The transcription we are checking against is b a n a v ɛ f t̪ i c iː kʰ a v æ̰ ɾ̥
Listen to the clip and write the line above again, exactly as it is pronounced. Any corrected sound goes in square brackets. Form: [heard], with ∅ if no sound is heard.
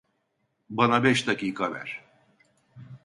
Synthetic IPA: b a n a [b] ɛ [ʃ] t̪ [a] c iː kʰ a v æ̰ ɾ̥